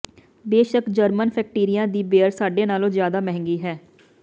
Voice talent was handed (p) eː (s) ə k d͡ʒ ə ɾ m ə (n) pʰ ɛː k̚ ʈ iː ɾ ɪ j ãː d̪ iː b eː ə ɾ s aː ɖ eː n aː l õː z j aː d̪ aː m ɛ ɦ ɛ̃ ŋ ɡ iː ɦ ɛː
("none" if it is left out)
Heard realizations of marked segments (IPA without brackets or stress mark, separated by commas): b, ʃ, n